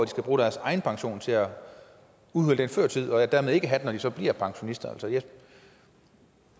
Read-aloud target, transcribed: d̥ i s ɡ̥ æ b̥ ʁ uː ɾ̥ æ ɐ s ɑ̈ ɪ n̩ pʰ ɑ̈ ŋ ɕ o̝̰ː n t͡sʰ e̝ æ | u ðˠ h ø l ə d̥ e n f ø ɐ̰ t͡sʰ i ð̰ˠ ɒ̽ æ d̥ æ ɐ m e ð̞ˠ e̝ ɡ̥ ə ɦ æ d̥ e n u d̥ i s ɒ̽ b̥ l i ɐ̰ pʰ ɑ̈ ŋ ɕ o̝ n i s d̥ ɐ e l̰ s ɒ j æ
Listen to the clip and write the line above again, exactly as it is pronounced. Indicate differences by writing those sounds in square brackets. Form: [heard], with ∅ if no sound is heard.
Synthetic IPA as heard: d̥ i s ɡ̥ æ b̥ ʁ uː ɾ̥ æ ɐ s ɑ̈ ɪ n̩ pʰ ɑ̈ ŋ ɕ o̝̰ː n t͡sʰ e̝ æ | u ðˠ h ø l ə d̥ e n f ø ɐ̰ t͡sʰ i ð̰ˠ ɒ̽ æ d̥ æ ɐ m e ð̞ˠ e̝ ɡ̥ ə ɦ æ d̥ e n [ɒ] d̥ i s ɒ̽ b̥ l i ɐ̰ pʰ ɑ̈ ŋ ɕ o̝ n i s d̥ ɐ [æ] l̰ s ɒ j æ

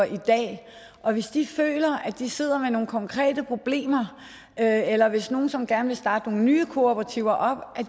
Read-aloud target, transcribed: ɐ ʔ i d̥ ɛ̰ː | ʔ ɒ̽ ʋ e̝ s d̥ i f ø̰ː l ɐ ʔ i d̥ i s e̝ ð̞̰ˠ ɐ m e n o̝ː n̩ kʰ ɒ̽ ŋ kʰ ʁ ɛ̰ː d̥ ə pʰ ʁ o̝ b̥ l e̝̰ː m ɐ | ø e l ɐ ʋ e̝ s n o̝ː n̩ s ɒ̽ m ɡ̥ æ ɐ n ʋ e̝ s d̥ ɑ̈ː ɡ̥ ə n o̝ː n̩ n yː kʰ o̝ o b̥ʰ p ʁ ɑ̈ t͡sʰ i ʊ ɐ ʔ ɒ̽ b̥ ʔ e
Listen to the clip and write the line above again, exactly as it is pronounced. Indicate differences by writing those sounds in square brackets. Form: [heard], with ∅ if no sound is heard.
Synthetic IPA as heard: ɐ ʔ i d̥ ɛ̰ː | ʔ ɒ̽ ʋ e̝ s d̥ i f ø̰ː l ɐ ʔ [æ] d̥ i s e̝ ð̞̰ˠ ɐ m e n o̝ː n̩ kʰ ɒ̽ ŋ kʰ ʁ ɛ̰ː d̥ ə pʰ ʁ o̝ b̥ l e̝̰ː m ɐ | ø e l ɐ ʋ e̝ s n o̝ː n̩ s ɒ̽ m ɡ̥ æ ɐ n ʋ e̝ s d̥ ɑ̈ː [d̥] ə n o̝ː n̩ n yː kʰ o̝ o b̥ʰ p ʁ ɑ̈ t͡sʰ i ʊ ɐ ʔ ɒ̽ b̥ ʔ [æ]

